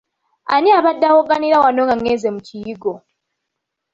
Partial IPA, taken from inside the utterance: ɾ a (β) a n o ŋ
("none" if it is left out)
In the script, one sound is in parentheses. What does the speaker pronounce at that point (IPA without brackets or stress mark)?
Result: w